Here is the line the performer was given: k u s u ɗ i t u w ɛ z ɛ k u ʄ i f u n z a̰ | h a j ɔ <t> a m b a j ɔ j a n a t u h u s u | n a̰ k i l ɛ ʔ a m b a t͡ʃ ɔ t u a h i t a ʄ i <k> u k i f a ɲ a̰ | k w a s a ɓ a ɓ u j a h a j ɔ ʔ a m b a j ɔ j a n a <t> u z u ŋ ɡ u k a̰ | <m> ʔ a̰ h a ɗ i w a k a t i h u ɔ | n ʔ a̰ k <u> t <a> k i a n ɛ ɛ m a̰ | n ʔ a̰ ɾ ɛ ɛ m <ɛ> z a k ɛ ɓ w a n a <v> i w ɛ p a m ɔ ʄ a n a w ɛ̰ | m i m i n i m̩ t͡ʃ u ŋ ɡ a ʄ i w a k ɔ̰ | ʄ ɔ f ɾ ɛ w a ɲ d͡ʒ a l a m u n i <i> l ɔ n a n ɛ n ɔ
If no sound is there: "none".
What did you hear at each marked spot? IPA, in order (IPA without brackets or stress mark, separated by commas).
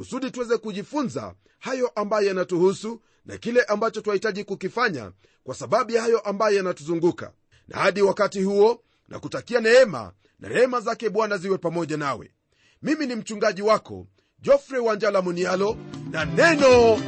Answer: ʔ, k, t, n, u, a, a, z, a